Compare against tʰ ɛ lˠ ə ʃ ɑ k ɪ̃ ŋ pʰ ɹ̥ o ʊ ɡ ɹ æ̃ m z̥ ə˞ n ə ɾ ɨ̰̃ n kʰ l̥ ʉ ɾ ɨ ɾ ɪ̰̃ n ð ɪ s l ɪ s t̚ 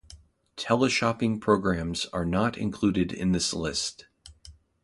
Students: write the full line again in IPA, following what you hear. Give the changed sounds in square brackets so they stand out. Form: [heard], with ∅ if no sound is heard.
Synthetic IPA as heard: tʰ ɛ lˠ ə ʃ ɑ [p] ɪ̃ ŋ pʰ ɹ̥ o ʊ ɡ ɹ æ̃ m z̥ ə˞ n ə ɾ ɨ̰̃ n kʰ l̥ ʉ ɾ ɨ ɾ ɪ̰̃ n ð ɪ s l ɪ s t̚